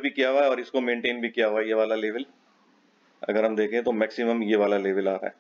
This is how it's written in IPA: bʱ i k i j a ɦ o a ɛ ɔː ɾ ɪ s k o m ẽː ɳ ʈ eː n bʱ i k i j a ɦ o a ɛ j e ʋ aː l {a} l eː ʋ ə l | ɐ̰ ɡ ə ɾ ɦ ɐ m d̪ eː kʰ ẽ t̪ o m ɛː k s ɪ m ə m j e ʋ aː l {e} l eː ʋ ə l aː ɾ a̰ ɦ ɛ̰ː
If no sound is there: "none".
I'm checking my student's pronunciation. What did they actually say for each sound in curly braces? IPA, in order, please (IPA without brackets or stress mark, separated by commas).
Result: a, a